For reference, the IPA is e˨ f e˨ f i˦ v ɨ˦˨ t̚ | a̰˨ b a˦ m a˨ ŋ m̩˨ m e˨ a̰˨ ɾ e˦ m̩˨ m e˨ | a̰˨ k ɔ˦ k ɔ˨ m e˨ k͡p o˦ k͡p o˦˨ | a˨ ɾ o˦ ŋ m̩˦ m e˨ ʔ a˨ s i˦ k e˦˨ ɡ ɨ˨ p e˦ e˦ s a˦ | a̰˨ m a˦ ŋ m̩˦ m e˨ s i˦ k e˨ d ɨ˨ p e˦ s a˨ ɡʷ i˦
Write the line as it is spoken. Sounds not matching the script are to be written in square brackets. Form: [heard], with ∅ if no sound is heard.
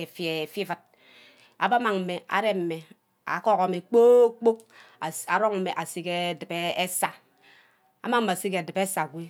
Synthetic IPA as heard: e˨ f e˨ f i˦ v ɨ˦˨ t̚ | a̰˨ b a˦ m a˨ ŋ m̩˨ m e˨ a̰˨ ɾ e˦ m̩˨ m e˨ | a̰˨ k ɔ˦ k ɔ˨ m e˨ k͡p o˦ k͡p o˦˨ | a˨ ɾ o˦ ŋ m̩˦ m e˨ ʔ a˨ s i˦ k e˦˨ [d] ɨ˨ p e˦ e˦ s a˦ | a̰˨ m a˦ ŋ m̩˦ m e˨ s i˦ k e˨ d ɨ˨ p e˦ s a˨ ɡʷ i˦